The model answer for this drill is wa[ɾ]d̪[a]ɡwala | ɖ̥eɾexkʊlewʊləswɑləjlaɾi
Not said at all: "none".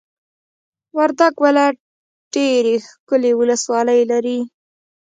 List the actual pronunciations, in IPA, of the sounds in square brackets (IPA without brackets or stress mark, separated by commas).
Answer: ɾ, a